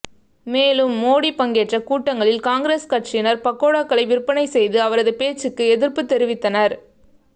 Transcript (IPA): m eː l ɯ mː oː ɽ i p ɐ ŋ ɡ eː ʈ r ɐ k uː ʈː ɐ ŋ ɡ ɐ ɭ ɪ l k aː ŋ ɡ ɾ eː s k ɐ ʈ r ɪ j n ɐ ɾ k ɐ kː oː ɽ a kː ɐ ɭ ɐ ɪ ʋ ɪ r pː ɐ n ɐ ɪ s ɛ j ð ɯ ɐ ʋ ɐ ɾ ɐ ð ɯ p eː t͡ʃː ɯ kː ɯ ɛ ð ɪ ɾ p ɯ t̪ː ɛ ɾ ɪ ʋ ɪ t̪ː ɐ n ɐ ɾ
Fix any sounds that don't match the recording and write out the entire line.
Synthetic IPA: m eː l ɯ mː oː ɽ i p ɐ ŋ ɡ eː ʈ r ɐ k uː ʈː ɐ ŋ ɡ ɐ ɭ ɪ l k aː ŋ ɡ ɾ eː s k ɐ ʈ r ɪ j n ɐ ɾ p ɐ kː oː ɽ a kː ɐ ɭ ɐ ɪ ʋ ɪ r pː ɐ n ɐ ɪ s ɛ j ð ɯ ɐ ʋ ɐ ɾ ɐ ð ɯ p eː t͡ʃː ɯ kː ɯ ɛ ð ɪ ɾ p ɯ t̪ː ɛ ɾ ɪ ʋ ɪ t̪ː ɐ n ɐ ɾ